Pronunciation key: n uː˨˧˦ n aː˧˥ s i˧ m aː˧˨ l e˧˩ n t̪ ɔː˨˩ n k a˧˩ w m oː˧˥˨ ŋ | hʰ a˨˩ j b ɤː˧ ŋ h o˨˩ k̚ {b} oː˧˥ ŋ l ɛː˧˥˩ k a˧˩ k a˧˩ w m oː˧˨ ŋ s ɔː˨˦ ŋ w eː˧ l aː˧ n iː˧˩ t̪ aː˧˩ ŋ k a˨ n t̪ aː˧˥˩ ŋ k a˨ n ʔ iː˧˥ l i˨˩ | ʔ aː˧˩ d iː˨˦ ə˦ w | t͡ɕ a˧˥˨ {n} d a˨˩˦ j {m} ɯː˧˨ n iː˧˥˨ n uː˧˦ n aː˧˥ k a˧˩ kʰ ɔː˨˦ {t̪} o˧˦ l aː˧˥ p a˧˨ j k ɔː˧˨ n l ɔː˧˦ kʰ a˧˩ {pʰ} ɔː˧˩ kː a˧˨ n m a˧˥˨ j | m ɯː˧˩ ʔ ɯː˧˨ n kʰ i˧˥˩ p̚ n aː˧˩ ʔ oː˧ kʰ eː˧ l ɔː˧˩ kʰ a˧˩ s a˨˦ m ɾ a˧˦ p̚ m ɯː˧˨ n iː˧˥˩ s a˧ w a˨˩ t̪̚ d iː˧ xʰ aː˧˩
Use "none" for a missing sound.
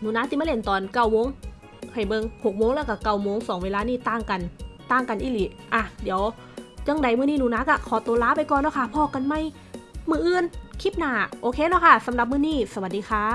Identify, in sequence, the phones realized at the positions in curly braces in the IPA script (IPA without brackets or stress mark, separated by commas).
m, ŋ, m, t̪, pʰ